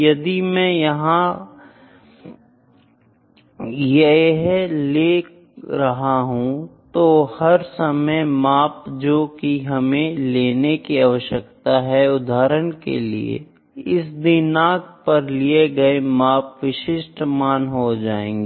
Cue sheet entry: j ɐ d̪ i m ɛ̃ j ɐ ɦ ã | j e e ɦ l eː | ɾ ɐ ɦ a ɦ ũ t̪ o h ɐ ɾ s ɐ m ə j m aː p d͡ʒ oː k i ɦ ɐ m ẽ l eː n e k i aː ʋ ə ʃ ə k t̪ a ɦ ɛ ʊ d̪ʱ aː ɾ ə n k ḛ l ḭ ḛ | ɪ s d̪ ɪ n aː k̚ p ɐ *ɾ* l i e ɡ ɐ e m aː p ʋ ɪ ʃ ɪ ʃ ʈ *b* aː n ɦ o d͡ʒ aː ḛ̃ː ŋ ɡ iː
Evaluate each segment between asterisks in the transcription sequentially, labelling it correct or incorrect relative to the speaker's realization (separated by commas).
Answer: correct, incorrect